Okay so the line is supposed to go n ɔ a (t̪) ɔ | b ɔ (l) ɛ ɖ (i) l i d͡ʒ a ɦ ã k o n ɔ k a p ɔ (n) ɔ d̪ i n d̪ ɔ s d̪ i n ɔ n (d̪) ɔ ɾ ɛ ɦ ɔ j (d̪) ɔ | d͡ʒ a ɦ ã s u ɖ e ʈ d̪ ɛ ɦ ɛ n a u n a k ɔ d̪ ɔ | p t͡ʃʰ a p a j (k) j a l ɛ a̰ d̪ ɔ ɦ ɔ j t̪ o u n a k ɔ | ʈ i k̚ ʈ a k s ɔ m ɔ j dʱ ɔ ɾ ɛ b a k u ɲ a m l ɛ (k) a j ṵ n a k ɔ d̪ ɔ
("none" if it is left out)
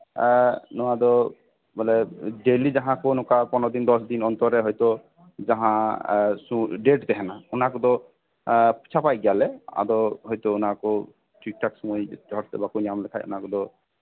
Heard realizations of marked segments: d̪, l, e, n, t̪, t̪, ɡ, kʰ

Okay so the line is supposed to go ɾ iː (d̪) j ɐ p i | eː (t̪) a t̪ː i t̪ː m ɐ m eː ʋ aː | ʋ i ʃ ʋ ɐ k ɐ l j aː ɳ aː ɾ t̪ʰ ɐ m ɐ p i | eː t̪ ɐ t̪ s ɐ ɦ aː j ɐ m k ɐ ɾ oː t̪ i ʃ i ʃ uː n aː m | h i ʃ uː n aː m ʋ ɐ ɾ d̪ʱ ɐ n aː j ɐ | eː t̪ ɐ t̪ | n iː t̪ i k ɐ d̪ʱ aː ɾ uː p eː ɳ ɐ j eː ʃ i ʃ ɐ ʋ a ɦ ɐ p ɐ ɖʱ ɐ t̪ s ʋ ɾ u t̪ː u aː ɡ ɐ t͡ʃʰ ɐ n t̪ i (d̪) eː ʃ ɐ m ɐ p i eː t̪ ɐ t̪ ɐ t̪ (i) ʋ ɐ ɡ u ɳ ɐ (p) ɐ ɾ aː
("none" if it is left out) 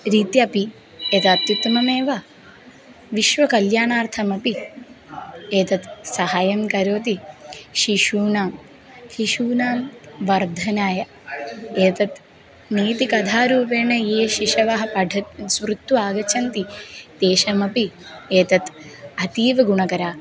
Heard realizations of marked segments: t̪, t̪, t̪, iː, k

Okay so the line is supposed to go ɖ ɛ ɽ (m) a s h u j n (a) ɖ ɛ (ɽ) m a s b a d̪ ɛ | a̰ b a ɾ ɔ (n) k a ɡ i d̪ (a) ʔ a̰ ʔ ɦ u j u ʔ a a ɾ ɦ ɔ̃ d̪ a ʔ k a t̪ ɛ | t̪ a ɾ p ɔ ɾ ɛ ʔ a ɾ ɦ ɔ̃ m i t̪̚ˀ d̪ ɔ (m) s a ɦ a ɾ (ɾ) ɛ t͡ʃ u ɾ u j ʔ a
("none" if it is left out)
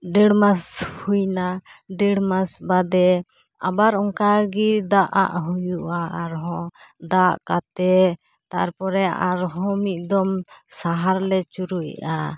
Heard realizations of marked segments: m, a, ɽ, ŋ, a, m, l

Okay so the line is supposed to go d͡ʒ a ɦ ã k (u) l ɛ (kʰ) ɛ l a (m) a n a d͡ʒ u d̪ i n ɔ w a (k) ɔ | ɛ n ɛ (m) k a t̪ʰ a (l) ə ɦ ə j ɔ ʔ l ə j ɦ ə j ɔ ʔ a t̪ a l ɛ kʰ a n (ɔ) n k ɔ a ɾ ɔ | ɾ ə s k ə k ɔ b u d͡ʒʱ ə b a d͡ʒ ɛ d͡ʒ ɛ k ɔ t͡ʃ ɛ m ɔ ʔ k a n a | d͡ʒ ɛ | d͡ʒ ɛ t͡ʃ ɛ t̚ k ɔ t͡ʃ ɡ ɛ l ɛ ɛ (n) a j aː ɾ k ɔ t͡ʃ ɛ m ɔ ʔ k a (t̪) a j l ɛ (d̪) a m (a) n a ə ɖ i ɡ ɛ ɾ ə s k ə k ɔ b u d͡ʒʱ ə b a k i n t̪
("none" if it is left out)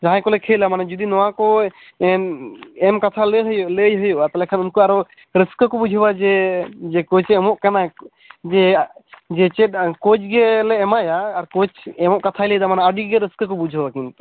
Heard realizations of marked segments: ɔ, kʰ, m, k, m, l, u, m, t̪ʰ, d̪, a

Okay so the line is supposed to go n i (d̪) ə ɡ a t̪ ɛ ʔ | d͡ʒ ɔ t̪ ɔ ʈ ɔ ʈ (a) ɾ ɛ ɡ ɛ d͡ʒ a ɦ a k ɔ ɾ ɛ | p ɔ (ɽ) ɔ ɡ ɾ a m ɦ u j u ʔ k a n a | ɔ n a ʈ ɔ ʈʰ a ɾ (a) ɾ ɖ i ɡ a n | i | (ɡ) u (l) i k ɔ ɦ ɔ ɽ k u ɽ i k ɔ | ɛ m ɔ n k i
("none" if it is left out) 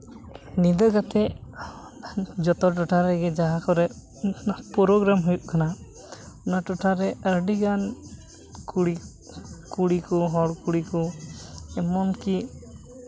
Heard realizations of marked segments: d̪, a, ɾ, ɛ, k, ɽ

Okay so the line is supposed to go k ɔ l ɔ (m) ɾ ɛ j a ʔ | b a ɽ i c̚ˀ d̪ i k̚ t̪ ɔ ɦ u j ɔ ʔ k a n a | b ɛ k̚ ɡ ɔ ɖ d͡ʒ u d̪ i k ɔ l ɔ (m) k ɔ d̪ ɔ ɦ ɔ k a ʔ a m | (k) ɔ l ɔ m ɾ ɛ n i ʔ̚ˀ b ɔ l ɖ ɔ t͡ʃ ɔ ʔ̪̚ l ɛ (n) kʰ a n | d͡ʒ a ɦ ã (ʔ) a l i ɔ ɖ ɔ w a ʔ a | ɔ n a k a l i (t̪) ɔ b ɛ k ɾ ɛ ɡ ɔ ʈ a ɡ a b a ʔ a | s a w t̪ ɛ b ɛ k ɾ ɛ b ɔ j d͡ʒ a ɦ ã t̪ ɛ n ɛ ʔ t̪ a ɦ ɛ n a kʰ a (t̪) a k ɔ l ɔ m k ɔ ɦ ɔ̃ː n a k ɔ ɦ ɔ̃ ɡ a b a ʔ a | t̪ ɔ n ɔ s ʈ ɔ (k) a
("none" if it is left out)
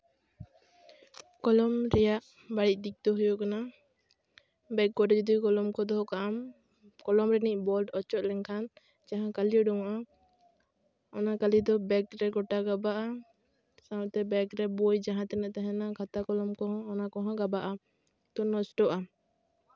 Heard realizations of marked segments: m, m, k, ŋ, k, d̪, t̪, ʔ

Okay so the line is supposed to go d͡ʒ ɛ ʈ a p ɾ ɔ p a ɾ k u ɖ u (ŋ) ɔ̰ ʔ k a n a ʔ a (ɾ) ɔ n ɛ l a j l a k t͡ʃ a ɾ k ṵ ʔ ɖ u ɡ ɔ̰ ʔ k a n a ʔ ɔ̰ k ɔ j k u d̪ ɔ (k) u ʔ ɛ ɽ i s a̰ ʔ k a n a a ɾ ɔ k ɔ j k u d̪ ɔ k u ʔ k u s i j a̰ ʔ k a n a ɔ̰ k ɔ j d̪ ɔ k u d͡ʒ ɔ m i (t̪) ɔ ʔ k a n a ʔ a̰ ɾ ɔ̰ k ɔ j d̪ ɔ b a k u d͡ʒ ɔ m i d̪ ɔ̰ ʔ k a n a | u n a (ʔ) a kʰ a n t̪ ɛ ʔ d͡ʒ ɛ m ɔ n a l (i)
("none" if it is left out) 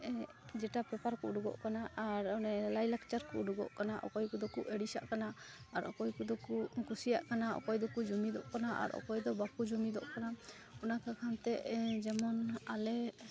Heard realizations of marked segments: ɡ, ɾ, k, d̪, k, ɛ

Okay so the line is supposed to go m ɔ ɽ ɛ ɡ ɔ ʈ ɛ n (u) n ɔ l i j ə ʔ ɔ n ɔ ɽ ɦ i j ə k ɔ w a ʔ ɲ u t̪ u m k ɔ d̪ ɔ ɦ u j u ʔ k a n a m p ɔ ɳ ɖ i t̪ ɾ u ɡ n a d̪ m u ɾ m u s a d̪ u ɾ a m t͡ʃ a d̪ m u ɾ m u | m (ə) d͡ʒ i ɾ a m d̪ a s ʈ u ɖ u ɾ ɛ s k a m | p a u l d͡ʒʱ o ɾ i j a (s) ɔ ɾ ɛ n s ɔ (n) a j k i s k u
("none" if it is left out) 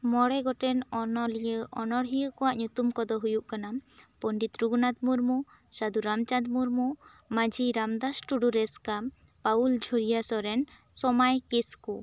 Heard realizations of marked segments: ɔ, a, s, m

